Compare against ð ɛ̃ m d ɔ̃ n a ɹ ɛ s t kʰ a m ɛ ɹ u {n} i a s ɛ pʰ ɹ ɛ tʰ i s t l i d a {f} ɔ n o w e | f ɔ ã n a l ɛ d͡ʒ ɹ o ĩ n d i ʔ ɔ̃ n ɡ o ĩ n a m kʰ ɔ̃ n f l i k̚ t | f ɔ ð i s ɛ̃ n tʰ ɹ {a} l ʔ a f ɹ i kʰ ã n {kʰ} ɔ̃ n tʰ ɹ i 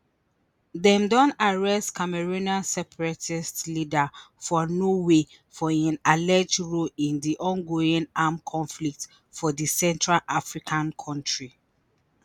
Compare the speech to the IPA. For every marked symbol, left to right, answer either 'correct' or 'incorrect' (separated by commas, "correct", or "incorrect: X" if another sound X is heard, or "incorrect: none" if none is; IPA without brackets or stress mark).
correct, correct, correct, correct